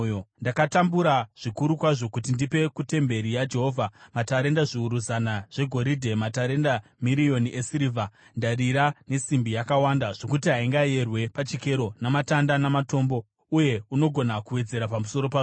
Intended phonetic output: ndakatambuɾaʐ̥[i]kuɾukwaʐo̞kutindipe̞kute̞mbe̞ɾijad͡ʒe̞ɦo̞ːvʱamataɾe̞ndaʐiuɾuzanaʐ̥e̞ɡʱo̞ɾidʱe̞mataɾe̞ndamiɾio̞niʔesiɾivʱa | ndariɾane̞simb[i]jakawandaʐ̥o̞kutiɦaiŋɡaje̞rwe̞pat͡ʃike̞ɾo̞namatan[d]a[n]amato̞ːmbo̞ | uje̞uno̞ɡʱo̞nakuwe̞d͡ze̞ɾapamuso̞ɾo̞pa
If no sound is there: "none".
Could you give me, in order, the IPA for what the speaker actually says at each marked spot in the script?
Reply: i, i, d, n

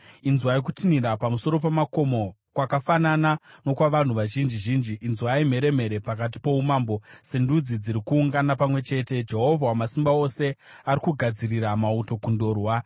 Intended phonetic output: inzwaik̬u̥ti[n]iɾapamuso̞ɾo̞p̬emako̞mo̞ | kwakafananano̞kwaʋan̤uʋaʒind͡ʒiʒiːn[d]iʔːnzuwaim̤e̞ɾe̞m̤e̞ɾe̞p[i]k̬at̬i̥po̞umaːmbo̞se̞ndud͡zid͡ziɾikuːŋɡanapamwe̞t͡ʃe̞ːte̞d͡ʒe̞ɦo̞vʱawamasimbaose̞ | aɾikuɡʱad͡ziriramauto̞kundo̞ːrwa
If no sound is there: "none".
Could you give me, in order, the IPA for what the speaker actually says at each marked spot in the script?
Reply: n, d͡ʒ, a

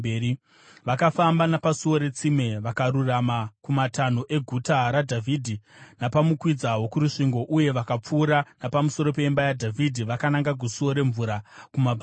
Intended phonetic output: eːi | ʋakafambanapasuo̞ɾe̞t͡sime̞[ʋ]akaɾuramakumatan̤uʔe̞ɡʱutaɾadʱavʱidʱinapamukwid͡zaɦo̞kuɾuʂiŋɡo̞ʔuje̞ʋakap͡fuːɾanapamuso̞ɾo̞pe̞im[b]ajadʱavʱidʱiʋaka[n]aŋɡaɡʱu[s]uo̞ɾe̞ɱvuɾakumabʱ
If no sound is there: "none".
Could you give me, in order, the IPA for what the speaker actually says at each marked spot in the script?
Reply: ʋ, b, n, s

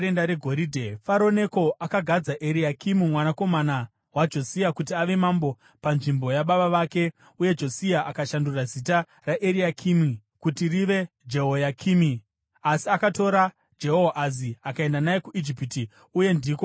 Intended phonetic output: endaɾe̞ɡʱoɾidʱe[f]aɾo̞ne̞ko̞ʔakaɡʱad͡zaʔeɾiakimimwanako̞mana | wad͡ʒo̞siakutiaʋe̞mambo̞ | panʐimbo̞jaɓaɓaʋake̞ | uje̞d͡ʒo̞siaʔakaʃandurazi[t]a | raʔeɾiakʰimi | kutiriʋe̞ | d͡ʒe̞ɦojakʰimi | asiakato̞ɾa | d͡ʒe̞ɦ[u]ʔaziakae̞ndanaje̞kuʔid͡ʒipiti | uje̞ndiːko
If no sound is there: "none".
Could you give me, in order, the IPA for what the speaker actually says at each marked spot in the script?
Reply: f, t, o

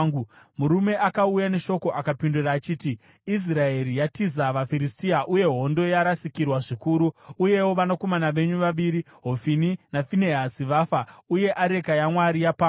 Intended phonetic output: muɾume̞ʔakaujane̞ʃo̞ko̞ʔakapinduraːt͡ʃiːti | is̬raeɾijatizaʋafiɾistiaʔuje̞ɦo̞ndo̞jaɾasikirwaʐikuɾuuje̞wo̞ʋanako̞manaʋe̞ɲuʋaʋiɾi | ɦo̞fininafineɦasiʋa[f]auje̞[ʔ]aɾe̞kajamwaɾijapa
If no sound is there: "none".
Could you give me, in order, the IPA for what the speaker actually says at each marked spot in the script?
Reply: f, ʔ

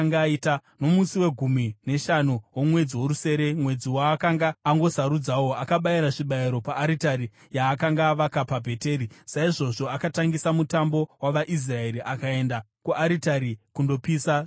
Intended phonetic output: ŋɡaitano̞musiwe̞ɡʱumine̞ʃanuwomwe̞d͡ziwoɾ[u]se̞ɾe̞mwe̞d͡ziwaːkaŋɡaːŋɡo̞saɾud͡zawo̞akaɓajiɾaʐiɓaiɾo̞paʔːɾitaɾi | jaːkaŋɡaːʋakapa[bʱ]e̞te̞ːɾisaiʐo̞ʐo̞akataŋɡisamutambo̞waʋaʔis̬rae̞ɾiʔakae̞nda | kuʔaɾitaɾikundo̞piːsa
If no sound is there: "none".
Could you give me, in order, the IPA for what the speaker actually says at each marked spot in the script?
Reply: u, bʱ

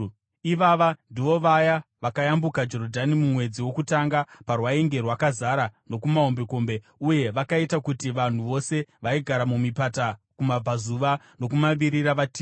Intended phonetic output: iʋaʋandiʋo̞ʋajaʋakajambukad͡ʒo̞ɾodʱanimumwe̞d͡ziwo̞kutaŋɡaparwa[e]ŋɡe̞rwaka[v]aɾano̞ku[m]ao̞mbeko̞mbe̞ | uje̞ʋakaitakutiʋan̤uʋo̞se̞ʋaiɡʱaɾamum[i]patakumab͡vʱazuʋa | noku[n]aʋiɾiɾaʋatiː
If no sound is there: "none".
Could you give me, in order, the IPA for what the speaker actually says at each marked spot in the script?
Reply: e, z, m, i, m

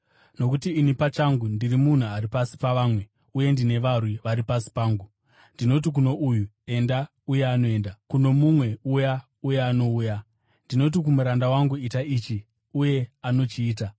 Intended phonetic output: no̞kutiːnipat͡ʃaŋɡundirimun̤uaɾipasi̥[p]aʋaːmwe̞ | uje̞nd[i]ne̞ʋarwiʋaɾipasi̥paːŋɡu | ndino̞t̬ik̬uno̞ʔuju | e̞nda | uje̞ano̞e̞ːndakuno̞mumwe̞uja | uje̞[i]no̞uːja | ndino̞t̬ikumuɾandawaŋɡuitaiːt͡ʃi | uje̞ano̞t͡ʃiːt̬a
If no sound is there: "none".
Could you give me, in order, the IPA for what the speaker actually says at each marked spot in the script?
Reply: p, i, a

